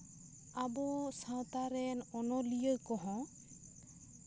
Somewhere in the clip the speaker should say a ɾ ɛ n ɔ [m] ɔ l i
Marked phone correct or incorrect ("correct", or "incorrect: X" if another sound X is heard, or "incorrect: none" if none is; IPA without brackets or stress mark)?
incorrect: n